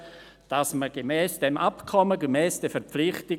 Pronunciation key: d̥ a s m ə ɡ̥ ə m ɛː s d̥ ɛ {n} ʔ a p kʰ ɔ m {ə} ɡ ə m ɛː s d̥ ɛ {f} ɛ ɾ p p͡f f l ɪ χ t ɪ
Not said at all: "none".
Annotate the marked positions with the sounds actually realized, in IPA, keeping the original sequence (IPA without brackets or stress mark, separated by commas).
m, ə, f